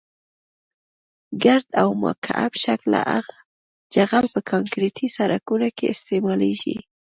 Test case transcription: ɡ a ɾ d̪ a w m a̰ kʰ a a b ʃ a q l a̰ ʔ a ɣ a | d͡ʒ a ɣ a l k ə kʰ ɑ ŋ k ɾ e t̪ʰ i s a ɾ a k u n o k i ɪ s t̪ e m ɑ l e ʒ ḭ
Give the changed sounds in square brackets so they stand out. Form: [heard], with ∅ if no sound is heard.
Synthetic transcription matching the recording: ɡ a ɾ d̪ a w m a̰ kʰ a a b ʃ a [k] l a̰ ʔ a ɣ a | d͡ʒ a ɣ a l [p] ə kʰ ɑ ŋ k ɾ e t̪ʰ i s a ɾ a k u n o k [e] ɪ s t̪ e m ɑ l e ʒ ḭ